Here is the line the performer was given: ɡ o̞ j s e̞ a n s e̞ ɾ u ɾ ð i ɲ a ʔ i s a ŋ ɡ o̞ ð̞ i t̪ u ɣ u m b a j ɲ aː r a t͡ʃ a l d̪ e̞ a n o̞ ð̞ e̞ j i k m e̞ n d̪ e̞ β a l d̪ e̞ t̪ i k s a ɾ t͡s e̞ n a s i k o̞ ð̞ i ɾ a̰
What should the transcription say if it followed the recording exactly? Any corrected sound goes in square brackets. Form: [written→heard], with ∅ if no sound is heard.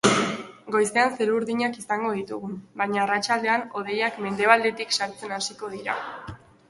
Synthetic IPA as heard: ɡ o̞ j s e̞ a n s e̞ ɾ u ɾ ð i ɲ a [ʔ→k] i s a ŋ ɡ o̞ ð̞ i t̪ u ɣ u m b a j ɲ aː r a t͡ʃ a l d̪ e̞ a n o̞ ð̞ e̞ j [i→a] k m e̞ n d̪ e̞ β a l d̪ e̞ t̪ i k s a ɾ t͡s e̞ n a s i k o̞ ð̞ i ɾ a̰